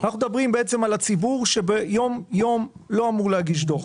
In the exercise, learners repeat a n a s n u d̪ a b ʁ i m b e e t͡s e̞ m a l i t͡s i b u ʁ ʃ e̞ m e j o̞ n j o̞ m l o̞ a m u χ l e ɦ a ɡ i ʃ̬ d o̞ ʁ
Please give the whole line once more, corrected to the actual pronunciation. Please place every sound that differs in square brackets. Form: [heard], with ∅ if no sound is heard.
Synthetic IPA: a n a [χ] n u d̪ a b ʁ i m b e e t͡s e̞ m a l [a] t͡s i b u ʁ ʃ e̞ [b] e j o̞ [m] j o̞ m l o̞ a m u [ʁ] l e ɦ a ɡ i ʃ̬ d o̞ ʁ